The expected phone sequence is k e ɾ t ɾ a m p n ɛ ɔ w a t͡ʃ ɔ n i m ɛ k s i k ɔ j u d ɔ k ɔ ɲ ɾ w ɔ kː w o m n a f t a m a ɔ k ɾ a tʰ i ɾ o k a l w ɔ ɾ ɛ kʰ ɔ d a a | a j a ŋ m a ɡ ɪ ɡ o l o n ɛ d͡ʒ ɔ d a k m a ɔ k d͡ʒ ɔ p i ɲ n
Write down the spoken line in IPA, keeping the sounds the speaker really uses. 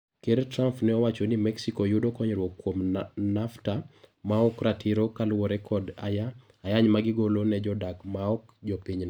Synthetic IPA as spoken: k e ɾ t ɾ a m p n ɛ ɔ w a t͡ʃ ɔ n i m ɛ k s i k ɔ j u d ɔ k ɔ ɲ ɾ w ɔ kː w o m n a f t a m a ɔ k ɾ a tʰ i ɾ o k a l w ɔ ɾ ɛ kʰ ɔ d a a | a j a ɲ m a ɡ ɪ ɡ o l o n ɛ d͡ʒ ɔ d a k m a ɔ k d͡ʒ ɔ p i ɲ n

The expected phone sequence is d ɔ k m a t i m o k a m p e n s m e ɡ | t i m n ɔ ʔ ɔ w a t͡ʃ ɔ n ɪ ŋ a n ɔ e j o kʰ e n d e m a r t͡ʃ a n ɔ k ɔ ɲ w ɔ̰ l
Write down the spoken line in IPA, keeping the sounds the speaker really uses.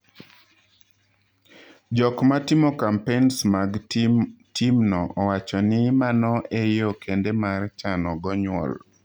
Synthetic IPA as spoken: d͡ʒ ɔ k m a t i m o k a m p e n s m a ɡ | t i m n ɔ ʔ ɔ w a t͡ʃ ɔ n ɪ m a n ɔ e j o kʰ e n d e m a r t͡ʃ a n ɔ ɡ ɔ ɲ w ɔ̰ l

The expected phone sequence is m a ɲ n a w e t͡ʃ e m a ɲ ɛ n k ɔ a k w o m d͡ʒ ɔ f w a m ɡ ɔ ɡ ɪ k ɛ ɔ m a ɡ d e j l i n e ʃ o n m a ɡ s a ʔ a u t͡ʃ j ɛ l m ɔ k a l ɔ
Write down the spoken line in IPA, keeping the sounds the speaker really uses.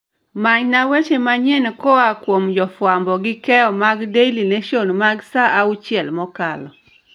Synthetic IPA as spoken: m a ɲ n a w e t͡ʃ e m a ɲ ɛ n k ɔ a k w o m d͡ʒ ɔ f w a m b ɔ ɡ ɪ k ɛ ɔ m a ɡ d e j l i n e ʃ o n m a ɡ s a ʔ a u t͡ʃ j ɛ l m ɔ k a l ɔ

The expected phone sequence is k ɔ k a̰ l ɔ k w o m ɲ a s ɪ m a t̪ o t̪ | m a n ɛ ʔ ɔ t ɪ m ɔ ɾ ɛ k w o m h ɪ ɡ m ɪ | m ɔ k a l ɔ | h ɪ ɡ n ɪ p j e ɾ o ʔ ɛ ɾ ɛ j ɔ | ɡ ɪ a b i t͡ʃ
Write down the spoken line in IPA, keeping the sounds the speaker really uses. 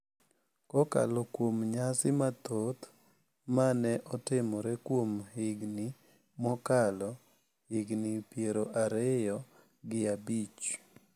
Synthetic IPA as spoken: k ɔ k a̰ l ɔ k w o m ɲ a s ɪ m a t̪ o t̪ | m a n ɛ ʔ ɔ t ɪ m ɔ ɾ ɛ k w o m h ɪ ɡ n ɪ | m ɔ k a l ɔ | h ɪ ɡ n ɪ p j e ɾ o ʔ a ɾ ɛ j ɔ | ɡ ɪ a b i t͡ʃ

